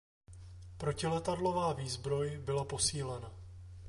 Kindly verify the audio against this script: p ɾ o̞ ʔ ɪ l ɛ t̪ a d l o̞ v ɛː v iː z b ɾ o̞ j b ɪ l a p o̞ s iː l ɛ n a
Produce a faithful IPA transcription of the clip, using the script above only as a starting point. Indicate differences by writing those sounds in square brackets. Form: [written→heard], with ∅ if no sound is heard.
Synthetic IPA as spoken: p ɾ o̞ [ʔ→c] ɪ l ɛ t̪ a d l o̞ v [ɛː→aː] v iː z b ɾ o̞ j b ɪ l a p o̞ s iː l ɛ n a